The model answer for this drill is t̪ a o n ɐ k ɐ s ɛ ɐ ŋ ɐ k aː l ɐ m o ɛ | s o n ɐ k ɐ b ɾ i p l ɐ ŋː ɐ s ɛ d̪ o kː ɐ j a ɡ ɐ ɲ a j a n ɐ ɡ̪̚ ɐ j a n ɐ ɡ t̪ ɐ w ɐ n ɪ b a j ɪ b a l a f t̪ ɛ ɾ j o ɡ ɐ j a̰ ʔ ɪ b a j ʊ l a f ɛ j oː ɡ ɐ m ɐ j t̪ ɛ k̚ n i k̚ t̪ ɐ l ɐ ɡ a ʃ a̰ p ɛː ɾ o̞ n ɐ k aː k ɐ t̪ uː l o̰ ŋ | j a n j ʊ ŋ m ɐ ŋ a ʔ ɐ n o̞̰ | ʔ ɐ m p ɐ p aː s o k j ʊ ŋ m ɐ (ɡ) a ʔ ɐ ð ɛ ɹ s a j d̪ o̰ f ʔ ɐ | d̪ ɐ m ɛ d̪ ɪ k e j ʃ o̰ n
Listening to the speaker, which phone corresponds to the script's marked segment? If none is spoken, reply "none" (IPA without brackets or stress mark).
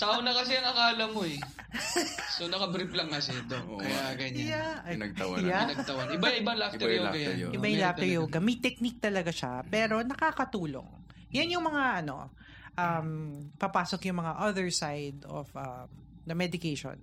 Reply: ŋ